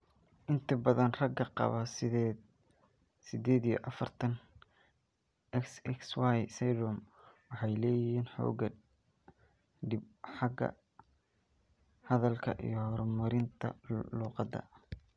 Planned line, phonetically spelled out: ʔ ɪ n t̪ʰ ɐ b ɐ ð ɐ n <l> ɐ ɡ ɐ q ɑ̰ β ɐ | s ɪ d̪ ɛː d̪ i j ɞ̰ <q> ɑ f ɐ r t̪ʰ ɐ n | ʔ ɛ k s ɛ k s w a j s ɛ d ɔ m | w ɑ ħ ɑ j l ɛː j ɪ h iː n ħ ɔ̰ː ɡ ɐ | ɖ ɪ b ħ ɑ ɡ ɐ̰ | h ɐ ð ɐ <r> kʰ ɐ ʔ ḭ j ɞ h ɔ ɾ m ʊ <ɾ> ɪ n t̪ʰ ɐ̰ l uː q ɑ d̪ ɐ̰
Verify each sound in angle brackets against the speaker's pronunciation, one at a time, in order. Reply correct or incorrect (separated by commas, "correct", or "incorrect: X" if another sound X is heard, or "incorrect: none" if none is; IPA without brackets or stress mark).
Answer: incorrect: r, incorrect: ʔ, incorrect: l, correct